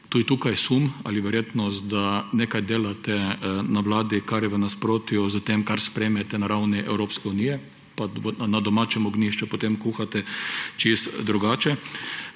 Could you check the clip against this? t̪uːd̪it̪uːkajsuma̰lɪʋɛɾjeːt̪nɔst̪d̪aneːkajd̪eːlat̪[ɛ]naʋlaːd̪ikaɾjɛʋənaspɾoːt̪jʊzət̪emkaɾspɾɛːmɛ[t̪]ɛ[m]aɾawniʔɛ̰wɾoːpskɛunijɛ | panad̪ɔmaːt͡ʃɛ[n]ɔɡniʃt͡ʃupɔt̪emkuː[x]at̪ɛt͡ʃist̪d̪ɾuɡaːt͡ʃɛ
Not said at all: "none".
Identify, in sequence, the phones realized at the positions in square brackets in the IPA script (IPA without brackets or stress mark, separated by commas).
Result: ɛ, t̪, n, m, x